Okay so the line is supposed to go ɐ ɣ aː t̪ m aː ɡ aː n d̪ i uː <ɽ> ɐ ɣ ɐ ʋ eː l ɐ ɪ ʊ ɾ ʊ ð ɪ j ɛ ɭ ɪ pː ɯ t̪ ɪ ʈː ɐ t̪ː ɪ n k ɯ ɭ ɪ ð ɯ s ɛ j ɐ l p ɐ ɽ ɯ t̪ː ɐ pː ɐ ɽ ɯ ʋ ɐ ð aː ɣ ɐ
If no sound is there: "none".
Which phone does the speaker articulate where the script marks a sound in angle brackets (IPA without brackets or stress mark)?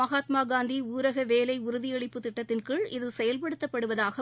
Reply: ɾ